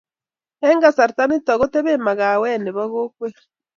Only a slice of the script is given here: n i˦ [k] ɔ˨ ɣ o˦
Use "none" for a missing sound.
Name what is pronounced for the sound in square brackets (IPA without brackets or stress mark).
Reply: t